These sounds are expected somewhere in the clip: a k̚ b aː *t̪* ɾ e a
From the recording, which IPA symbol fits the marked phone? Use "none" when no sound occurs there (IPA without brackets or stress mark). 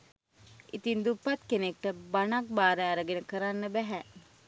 none